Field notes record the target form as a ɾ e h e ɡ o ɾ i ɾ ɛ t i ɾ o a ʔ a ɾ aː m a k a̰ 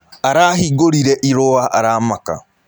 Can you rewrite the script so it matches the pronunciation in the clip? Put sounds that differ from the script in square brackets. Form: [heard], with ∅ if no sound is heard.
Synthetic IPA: a ɾ [a] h [i] ɡ o ɾ i ɾ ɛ [ʔ] i ɾ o a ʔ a ɾ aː m a k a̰